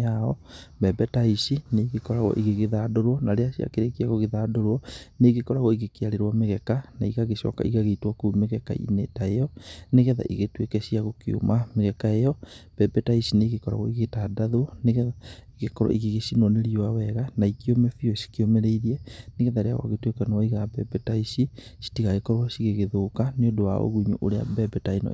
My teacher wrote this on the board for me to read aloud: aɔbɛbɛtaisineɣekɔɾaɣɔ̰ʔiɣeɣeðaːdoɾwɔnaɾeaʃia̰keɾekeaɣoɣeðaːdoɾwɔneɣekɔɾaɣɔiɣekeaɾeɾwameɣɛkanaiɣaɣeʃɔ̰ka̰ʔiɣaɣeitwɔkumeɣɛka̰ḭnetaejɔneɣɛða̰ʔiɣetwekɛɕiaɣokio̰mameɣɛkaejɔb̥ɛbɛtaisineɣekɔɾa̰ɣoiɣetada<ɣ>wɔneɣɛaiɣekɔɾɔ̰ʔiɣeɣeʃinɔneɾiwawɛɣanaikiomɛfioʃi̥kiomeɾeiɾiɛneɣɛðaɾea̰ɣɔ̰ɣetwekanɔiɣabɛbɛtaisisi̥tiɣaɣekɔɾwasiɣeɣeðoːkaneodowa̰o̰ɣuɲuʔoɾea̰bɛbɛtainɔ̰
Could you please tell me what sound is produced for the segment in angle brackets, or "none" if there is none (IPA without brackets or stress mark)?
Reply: ð